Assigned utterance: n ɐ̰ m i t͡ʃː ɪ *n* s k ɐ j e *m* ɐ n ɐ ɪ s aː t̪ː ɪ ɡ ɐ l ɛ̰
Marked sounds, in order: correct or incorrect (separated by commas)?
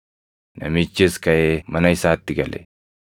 incorrect, correct